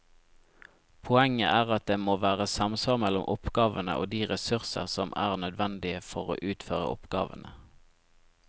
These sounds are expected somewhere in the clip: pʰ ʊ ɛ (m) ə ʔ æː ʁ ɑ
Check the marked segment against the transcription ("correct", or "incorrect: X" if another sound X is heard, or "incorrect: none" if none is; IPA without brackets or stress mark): incorrect: ŋ